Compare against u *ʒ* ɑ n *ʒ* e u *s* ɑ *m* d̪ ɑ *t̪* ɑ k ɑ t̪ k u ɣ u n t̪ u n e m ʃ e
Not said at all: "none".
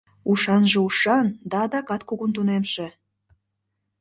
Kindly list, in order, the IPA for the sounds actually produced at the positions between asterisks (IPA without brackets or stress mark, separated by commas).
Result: ʃ, ʒ, ʃ, n, d̪